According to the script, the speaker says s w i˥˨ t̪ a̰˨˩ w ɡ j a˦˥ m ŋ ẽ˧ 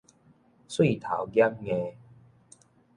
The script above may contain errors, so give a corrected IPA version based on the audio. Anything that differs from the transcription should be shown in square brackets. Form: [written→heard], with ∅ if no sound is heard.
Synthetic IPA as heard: s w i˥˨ [t̪→t̪ʰ] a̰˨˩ w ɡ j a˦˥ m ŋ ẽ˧